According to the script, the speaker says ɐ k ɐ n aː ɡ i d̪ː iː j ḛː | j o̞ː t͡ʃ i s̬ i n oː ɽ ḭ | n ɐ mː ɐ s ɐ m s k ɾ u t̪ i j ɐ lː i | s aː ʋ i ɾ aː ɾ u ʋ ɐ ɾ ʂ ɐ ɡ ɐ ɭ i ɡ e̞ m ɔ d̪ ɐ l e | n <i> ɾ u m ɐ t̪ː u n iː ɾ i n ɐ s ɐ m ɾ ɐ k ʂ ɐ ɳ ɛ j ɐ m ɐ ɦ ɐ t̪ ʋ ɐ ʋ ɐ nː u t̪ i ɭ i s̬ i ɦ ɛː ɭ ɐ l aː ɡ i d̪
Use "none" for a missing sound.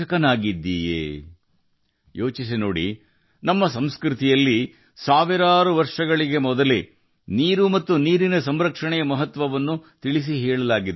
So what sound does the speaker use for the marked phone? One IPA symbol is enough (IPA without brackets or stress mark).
iː